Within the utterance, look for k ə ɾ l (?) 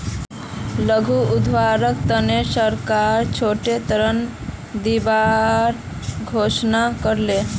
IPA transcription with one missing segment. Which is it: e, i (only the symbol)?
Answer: e